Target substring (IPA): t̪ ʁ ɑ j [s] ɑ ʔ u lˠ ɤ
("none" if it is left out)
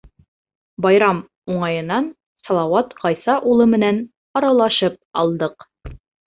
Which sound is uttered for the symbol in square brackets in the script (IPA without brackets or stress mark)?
s